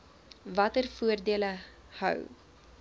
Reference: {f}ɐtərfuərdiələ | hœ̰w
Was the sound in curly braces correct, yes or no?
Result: no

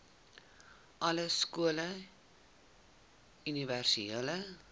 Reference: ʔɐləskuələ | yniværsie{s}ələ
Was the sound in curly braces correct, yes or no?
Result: no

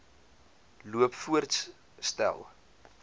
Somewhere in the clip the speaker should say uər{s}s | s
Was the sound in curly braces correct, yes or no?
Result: no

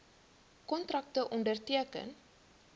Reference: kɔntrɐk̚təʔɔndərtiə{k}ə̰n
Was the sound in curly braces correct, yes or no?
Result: yes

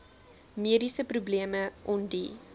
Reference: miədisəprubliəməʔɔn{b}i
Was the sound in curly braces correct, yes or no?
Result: no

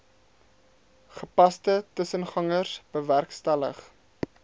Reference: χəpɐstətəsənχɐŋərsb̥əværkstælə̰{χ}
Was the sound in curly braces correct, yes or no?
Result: yes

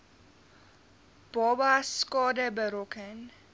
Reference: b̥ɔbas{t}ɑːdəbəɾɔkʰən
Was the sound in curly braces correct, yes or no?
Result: no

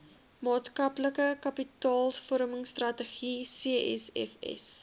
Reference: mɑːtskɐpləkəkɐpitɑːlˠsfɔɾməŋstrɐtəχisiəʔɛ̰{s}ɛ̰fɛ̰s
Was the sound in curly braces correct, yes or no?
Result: yes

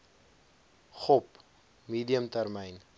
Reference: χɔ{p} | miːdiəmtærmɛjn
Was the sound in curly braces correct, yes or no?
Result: yes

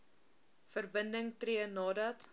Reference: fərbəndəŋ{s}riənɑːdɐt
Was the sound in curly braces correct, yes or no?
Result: no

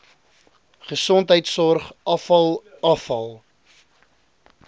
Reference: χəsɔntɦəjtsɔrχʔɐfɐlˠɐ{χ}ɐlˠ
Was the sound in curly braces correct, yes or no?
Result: no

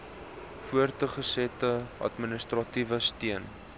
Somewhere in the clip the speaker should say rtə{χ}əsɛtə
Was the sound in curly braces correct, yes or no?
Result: yes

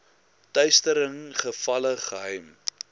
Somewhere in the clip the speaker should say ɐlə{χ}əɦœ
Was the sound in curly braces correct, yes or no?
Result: yes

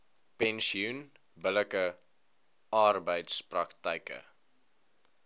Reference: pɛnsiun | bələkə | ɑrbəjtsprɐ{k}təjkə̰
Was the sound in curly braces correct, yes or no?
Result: yes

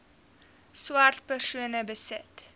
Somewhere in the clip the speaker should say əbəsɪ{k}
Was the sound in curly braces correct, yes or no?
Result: no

